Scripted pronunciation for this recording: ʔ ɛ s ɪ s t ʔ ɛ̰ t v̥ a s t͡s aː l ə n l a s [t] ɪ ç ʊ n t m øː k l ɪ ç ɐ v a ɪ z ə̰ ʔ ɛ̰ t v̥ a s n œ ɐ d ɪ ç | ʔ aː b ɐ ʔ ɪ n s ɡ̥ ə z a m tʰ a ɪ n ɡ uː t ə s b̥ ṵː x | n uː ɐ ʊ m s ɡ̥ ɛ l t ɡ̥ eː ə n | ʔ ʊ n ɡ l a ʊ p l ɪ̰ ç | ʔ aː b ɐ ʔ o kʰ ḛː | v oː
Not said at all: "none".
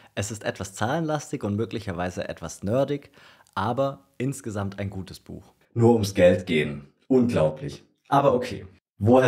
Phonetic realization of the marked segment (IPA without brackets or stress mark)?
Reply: t